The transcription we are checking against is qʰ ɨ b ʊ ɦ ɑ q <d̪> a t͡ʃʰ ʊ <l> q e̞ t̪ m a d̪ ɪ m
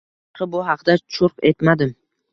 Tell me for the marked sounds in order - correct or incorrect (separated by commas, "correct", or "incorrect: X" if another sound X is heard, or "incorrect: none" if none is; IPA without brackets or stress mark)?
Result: correct, incorrect: ɾ